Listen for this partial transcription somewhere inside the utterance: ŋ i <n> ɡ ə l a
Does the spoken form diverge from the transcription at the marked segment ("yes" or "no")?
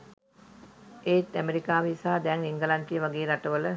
yes